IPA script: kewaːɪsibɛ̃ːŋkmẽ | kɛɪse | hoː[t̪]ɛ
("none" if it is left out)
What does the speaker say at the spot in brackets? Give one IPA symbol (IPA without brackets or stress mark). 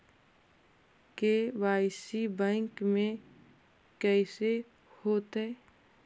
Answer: t̪